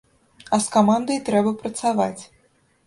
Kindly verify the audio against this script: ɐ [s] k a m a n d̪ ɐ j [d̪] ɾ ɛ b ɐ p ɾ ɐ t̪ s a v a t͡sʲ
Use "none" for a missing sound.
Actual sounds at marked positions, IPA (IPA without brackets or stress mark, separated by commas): s, t̪